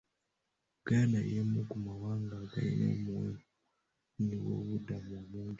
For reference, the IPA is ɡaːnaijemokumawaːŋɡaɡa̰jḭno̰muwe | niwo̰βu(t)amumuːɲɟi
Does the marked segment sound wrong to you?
yes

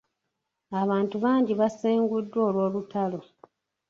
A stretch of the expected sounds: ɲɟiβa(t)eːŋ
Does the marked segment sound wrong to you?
yes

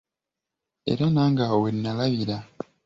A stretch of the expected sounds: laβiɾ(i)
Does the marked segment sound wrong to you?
yes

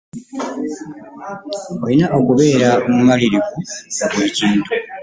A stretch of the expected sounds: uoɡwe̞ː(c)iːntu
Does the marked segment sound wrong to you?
no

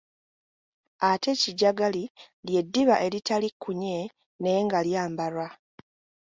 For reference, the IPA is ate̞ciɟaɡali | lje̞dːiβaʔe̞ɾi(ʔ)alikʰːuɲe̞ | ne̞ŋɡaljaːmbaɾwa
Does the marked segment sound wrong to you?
yes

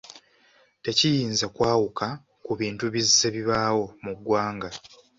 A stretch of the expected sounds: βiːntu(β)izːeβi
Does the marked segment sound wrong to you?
no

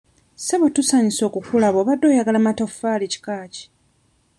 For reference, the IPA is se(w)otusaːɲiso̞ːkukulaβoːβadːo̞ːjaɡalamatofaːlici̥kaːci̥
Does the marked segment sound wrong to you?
yes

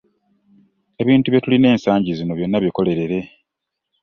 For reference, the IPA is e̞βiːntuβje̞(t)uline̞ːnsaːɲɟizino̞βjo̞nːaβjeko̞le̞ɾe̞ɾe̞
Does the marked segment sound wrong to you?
no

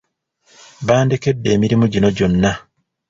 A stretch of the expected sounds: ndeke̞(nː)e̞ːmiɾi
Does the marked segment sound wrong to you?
yes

